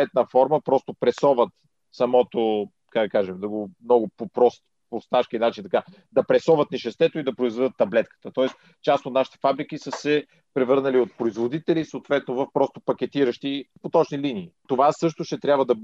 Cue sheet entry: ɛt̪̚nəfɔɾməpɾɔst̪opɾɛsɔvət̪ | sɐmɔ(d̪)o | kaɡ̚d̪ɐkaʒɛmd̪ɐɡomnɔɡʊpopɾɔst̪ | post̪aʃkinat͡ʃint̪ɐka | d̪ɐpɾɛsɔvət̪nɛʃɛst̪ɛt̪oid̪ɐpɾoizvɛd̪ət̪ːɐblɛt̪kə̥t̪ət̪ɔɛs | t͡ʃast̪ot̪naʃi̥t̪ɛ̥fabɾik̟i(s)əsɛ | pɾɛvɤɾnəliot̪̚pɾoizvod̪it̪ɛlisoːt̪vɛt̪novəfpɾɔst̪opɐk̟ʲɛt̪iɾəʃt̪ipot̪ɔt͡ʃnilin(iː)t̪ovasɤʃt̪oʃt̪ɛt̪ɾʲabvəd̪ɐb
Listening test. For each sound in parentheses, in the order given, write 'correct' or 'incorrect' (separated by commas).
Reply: incorrect, correct, correct